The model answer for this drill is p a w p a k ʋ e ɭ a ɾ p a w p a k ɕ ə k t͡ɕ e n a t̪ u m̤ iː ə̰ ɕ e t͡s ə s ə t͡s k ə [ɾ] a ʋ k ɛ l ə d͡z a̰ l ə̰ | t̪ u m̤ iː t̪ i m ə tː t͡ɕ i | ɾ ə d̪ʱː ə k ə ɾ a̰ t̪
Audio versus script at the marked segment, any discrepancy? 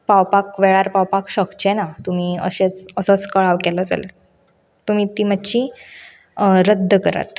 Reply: yes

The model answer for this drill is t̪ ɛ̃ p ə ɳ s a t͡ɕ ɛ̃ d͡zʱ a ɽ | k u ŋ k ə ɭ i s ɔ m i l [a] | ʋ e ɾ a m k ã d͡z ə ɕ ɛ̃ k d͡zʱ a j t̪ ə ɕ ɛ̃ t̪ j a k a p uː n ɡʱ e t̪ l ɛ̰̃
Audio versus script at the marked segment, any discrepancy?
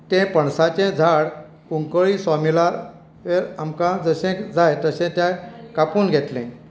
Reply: no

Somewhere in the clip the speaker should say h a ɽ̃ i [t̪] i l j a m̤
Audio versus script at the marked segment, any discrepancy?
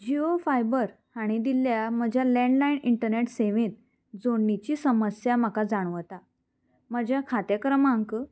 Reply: yes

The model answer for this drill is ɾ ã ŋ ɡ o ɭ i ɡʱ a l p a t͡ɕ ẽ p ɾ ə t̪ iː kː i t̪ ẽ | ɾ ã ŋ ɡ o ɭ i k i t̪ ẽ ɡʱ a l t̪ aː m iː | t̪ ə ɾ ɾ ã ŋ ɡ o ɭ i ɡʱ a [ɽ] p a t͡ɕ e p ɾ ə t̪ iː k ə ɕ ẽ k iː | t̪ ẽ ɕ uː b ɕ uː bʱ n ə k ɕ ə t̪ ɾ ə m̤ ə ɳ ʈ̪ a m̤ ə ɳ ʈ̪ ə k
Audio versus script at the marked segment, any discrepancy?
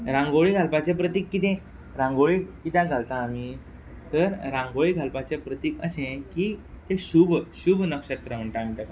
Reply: yes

